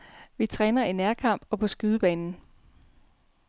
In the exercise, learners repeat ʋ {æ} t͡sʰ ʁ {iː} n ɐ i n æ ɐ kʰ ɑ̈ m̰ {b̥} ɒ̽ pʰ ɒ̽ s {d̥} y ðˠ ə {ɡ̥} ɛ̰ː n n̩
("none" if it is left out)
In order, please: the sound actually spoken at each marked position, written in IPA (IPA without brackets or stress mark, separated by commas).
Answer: i, ɛː, b̥, ɡ̥, b̥